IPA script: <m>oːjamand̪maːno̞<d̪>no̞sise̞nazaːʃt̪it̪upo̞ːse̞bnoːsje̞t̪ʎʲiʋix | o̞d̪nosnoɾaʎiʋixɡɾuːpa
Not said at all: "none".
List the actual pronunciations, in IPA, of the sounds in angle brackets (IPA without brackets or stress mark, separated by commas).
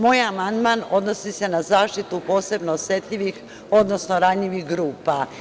m, d̪